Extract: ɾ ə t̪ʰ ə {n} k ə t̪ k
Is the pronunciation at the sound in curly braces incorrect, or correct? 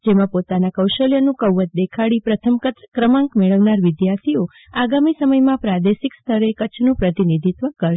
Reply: incorrect